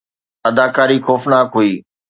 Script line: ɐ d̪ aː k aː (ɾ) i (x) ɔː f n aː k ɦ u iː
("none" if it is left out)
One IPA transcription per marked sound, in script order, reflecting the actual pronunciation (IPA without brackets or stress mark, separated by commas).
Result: ɾ, x